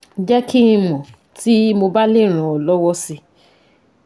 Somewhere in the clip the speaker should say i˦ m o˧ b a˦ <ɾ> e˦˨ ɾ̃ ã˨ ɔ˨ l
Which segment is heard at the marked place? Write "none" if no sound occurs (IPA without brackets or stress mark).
l